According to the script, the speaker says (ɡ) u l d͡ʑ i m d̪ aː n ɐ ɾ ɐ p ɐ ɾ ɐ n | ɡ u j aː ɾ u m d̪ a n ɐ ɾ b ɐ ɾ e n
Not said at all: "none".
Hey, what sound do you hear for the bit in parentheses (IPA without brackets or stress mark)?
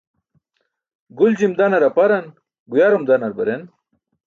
ɡ